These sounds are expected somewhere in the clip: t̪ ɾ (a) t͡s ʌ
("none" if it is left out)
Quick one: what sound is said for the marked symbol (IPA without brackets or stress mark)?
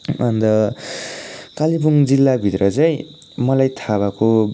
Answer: ʌ